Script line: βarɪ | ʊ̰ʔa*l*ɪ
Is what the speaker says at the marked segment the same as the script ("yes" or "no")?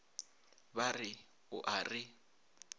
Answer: no